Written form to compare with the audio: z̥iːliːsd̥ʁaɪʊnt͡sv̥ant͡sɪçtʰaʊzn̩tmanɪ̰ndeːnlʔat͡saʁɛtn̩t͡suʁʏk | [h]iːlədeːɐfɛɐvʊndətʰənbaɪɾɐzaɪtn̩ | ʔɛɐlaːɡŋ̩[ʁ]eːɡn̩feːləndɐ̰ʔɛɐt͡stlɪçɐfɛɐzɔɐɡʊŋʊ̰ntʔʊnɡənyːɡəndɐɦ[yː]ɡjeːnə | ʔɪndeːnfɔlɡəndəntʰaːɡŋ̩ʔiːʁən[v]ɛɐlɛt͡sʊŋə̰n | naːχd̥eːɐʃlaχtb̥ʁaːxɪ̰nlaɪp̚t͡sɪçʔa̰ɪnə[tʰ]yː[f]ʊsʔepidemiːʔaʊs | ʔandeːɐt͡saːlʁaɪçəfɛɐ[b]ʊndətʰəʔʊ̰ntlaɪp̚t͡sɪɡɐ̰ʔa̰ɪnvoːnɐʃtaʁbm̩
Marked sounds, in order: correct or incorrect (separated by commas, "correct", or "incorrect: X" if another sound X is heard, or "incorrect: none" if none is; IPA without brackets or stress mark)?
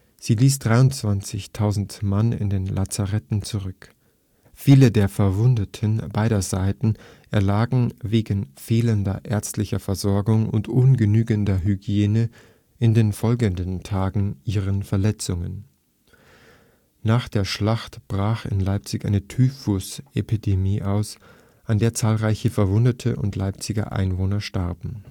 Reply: incorrect: f, incorrect: v, incorrect: y, incorrect: f, correct, correct, incorrect: v